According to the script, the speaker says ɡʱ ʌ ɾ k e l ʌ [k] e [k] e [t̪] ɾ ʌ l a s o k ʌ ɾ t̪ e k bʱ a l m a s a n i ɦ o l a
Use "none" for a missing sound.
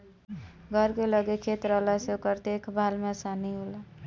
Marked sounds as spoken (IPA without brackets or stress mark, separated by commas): ɡ, kʰ, t̪